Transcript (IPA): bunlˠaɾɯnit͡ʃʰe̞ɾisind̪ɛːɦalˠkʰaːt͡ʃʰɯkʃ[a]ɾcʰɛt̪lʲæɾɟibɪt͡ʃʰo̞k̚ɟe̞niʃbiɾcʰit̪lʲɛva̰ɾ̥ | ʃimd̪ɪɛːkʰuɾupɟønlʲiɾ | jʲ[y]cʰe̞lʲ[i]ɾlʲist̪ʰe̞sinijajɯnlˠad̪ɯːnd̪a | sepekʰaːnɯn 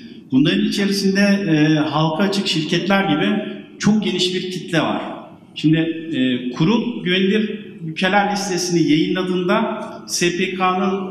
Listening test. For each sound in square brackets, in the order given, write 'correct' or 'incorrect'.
incorrect: i, correct, incorrect: æ

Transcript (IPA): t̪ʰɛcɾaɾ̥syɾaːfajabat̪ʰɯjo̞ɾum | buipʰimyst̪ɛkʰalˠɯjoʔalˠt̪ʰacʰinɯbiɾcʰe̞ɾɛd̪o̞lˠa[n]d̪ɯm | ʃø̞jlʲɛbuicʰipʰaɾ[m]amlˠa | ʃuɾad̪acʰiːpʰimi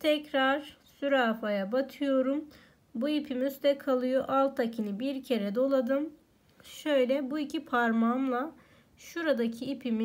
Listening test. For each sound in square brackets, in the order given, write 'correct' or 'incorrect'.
incorrect: none, correct

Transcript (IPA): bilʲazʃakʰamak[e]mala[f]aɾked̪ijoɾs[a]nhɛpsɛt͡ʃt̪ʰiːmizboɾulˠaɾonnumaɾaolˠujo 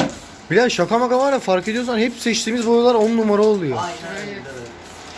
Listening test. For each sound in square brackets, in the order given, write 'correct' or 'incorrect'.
incorrect: a, correct, correct

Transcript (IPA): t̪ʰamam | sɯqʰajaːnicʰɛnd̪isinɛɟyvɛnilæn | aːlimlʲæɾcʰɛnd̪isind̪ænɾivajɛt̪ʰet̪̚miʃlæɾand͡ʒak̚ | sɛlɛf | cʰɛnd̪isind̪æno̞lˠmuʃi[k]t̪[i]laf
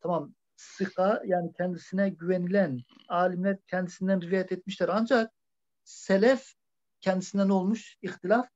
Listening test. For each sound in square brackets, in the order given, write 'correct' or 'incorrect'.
incorrect: x, correct

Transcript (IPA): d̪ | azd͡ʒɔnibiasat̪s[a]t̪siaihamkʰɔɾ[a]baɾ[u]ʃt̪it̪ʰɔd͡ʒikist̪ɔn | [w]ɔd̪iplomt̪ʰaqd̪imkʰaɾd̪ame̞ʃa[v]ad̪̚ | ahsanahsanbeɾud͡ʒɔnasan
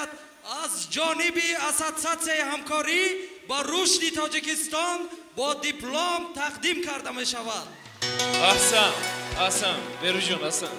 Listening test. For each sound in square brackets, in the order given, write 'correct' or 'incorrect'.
correct, incorrect: i, correct, incorrect: b, correct

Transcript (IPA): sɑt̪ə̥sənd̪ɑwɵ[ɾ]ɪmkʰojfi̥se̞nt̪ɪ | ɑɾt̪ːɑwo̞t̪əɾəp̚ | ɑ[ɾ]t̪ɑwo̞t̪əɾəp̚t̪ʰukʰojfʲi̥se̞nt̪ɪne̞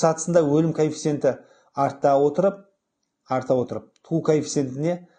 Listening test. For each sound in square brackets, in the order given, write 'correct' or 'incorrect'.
incorrect: l, correct

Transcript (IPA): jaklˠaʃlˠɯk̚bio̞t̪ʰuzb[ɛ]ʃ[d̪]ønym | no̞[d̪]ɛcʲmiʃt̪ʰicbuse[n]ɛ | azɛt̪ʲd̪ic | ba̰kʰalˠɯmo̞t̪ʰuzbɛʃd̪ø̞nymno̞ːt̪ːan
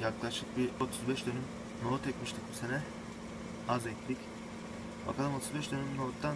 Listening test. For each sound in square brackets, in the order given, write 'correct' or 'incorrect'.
correct, correct, incorrect: t̪, correct

